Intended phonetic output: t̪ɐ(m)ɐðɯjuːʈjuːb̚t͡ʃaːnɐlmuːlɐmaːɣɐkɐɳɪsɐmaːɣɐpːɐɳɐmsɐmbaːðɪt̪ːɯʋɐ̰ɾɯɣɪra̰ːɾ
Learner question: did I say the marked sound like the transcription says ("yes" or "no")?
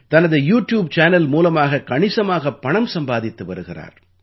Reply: no